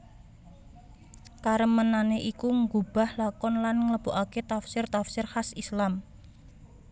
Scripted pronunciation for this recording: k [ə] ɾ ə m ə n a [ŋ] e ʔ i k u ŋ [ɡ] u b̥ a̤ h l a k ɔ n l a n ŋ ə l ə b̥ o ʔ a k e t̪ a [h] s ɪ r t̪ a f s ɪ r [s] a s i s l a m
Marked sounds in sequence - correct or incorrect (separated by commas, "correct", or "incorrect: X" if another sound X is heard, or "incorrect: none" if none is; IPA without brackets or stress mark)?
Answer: incorrect: a, incorrect: n, correct, incorrect: f, incorrect: h